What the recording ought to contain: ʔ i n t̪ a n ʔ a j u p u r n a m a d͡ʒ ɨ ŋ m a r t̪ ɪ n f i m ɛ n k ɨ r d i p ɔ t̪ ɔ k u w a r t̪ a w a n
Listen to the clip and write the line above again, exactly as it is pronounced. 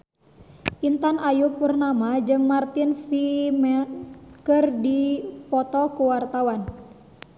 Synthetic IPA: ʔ i n t̪ a n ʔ a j u p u r n a m a d͡ʒ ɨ ŋ m a r t̪ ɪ n f i m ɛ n k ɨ r d i p ɔ t̪ ɔ k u w a r t̪ a w a n